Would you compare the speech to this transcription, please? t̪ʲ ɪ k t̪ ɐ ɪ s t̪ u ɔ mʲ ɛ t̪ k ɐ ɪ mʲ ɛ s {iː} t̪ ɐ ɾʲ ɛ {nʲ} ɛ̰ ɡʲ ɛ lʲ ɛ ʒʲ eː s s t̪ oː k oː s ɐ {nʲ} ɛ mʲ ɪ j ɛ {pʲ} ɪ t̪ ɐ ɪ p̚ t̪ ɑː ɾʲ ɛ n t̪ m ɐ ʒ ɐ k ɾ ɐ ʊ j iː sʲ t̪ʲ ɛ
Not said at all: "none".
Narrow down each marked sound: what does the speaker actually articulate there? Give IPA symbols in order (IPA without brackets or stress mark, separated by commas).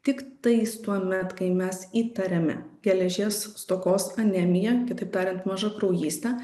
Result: iː, mʲ, nʲ, kʲ